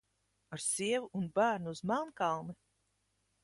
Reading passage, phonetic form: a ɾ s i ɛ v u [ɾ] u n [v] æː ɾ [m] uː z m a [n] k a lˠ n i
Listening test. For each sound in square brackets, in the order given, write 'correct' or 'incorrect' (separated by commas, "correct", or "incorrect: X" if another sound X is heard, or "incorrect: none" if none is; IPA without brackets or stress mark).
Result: incorrect: none, incorrect: b, incorrect: n, correct